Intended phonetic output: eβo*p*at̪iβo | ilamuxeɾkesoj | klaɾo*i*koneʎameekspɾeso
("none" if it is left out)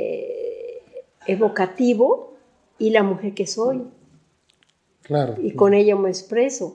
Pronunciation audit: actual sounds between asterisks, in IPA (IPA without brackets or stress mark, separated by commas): k, i